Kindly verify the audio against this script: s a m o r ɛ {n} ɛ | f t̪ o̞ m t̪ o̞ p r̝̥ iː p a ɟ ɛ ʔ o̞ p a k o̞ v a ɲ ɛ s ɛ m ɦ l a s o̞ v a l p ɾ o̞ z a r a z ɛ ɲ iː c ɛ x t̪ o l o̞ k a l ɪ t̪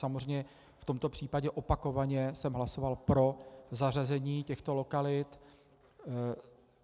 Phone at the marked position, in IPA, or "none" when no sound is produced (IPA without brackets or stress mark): ɲ